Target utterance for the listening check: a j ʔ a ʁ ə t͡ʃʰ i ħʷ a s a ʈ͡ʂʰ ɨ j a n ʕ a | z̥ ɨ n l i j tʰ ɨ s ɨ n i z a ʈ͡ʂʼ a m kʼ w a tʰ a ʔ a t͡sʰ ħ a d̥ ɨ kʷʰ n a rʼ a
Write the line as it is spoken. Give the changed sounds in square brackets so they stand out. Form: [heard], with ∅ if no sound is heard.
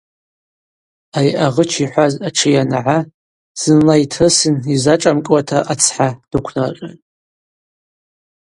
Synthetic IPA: a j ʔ a ʁ ə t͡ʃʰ i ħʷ a [z] a ʈ͡ʂʰ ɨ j a n ʕ a | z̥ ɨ n l [a] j tʰ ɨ s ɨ n i z a ʈ͡ʂʼ a m kʼ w a tʰ a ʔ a t͡sʰ ħ a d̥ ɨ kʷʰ n a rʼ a